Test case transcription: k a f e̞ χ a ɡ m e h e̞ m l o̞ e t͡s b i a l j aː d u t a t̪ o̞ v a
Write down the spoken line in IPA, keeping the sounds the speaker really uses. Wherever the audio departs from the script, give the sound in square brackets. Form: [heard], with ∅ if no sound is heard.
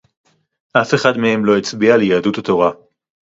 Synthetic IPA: [ʔ] a f e̞ χ a [d] m e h e̞ m l o̞ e t͡s b i a l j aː d u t a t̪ o̞ [ʁ] a